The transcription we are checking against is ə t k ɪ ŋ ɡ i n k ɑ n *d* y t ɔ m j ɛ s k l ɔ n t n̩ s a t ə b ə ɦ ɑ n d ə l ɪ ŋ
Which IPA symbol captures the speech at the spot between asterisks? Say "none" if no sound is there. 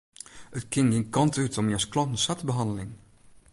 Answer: t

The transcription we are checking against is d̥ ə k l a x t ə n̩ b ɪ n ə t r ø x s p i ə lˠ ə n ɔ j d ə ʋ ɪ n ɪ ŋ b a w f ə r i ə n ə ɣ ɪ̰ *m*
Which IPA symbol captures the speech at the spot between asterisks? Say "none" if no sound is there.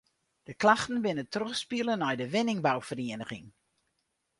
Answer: ŋ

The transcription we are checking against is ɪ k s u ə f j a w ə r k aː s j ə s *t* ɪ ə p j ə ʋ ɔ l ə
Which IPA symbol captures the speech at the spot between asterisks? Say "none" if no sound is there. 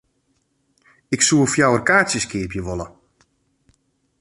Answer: k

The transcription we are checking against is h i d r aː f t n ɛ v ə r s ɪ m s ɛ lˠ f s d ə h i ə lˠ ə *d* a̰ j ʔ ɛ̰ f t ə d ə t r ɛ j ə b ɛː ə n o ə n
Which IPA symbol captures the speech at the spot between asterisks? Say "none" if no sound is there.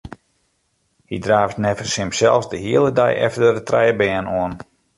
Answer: d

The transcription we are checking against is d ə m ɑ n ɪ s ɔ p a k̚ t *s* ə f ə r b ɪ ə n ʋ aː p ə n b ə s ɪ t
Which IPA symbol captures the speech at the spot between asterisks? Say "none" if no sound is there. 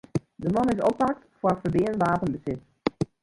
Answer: f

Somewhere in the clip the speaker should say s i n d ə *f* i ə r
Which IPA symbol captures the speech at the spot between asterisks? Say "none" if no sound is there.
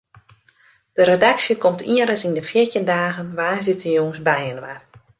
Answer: f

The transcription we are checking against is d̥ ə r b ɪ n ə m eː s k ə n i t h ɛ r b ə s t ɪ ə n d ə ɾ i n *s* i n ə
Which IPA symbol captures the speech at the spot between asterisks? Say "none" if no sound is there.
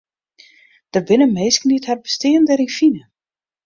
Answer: f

